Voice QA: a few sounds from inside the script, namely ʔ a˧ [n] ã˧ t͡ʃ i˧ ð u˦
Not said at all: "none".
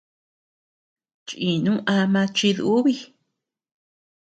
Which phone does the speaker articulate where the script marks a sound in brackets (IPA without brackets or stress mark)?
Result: m